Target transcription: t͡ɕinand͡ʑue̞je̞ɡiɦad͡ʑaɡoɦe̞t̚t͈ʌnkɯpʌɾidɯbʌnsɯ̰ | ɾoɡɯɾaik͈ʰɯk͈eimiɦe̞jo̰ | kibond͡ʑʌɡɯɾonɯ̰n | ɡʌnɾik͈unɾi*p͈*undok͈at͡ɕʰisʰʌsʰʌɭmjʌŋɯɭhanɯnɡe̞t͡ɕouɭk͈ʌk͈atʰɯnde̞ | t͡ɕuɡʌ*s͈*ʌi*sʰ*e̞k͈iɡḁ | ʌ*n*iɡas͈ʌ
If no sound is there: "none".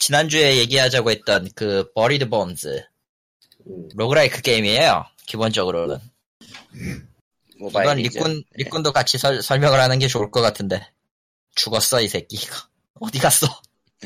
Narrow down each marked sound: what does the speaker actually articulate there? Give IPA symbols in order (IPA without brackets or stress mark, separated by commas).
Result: k͈, s͈, sʰ, d